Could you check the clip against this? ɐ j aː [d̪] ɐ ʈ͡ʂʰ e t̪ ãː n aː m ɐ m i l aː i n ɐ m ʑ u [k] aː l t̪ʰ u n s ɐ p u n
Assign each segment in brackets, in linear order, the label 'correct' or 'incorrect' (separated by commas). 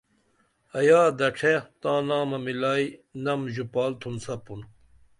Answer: correct, incorrect